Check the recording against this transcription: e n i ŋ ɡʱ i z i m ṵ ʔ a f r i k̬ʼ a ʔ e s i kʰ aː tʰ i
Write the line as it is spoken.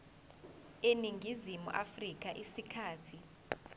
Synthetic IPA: e n i ŋ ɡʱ i z i m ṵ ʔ a f r i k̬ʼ a ʔ i s i kʰ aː tʰ i